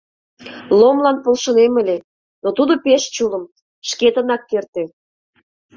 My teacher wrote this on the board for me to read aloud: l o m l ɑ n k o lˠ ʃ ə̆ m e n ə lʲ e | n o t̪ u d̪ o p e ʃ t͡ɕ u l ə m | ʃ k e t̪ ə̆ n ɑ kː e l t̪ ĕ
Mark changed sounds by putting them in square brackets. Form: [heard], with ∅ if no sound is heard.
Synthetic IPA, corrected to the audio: l o m l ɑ n [p] o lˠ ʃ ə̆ [n] e [m] ə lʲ e | n o t̪ u d̪ o p e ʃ t͡ɕ u l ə m | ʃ k e t̪ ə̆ n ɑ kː e [r] t̪ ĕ